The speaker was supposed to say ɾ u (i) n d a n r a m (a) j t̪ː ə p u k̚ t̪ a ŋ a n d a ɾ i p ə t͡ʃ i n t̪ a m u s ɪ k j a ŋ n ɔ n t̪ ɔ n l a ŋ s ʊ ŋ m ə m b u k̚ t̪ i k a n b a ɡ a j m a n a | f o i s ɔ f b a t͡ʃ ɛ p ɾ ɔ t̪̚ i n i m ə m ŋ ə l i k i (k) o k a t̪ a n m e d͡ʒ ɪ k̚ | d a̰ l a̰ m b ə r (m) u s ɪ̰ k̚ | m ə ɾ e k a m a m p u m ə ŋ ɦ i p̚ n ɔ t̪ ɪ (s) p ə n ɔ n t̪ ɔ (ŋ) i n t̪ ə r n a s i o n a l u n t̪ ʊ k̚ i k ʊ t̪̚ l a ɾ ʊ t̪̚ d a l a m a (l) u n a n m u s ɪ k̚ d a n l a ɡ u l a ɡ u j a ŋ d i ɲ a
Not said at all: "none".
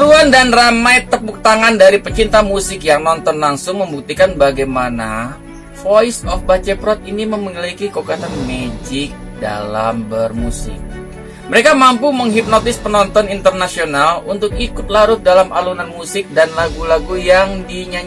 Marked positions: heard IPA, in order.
a, a, k, m, s, n, l

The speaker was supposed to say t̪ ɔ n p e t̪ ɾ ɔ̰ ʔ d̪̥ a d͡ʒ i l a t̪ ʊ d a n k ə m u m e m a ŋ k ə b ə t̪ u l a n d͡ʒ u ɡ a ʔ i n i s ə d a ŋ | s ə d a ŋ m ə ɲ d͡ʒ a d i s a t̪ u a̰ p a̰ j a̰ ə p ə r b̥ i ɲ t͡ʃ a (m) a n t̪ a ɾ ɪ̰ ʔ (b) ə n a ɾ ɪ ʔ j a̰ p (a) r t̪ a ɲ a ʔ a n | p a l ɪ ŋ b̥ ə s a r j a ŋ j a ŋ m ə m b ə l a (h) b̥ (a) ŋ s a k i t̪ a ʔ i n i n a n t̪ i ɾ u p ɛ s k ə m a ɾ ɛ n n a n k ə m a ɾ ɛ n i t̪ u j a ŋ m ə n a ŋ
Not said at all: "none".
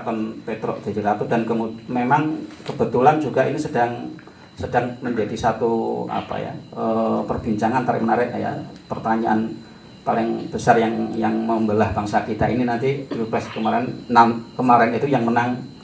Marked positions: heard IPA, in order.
ŋ, m, ə, h, a

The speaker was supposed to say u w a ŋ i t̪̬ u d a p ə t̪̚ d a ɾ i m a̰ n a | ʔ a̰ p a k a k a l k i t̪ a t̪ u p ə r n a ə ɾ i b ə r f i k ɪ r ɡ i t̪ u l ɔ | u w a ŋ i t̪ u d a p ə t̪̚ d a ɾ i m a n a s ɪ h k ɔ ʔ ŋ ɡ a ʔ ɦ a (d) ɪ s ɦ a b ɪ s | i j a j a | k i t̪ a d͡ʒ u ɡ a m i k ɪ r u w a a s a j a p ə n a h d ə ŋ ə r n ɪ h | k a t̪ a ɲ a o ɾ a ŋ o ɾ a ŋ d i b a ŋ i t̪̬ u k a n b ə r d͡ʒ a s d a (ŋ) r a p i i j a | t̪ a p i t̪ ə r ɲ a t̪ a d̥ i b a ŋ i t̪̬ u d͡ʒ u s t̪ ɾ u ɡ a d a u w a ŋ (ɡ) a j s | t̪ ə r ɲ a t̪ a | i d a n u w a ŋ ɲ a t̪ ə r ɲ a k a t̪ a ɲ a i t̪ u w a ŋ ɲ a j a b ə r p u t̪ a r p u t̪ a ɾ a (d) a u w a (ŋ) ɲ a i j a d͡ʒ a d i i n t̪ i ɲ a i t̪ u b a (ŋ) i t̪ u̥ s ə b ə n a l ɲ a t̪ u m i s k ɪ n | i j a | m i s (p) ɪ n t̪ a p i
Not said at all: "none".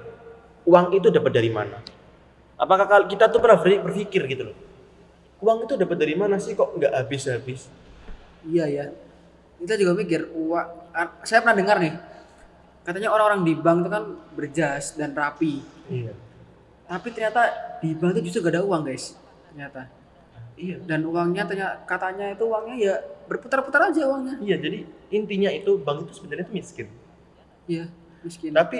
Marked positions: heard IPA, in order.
b, n, ɡ, d͡ʒ, ŋ, ŋ, k

